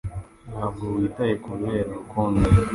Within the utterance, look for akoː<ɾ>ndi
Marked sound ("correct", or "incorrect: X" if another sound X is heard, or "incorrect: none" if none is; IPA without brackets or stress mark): incorrect: none